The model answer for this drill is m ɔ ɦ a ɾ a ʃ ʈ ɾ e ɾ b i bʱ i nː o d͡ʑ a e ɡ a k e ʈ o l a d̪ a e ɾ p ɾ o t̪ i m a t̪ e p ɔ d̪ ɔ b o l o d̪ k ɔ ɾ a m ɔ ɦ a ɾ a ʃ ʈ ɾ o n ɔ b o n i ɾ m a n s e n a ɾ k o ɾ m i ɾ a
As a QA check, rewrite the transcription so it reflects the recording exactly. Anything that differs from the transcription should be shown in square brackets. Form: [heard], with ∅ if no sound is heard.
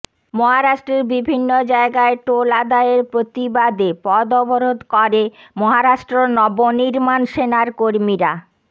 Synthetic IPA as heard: m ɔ ɦ a ɾ a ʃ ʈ ɾ e ɾ b i bʱ i nː o d͡ʑ a e ɡ a [∅] e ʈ o l a d̪ a e ɾ p ɾ o t̪ i [b] a [d̪] e p ɔ d̪ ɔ b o [ɾ] o d̪ k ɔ ɾ [e] m ɔ ɦ a ɾ a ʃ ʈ ɾ o n ɔ b o n i ɾ m a n [ʃ] e n a ɾ k o ɾ m i ɾ a